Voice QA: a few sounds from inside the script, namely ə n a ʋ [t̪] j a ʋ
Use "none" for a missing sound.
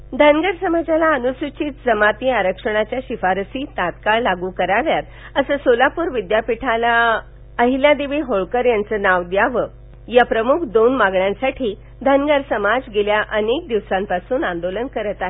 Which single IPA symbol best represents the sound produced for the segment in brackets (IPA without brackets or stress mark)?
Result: d̪